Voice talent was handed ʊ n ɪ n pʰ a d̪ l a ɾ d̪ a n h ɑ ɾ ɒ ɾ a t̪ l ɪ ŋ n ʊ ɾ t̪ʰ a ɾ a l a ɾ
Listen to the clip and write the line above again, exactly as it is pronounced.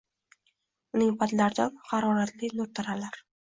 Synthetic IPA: ʊ n ɪ ŋ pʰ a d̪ l a ɾ d̪ a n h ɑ ɾ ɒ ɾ a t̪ l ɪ n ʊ ɾ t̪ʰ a ɾ a l a ɾ